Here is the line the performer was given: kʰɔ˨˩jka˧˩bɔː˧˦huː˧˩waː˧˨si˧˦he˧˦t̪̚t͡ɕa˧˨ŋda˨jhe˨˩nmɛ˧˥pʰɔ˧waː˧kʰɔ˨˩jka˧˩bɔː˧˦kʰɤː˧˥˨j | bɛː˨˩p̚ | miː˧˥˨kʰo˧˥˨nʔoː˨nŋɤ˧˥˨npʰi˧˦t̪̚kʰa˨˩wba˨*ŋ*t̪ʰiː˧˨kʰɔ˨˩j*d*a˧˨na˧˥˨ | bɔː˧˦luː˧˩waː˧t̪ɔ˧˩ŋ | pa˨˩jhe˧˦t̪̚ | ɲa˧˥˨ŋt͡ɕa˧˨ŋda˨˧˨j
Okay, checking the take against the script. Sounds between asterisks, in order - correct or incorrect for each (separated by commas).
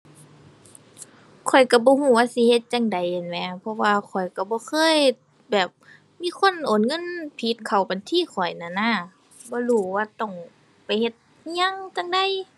incorrect, incorrect